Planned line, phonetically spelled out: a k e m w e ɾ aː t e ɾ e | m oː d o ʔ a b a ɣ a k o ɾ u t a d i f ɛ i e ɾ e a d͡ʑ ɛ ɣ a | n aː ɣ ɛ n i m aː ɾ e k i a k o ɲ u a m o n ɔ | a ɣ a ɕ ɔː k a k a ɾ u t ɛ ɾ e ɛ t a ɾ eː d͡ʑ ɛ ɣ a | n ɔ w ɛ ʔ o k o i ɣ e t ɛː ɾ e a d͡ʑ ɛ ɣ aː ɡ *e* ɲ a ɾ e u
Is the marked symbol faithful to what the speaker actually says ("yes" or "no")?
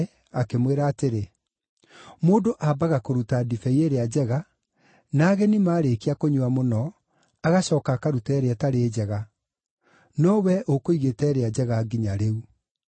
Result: no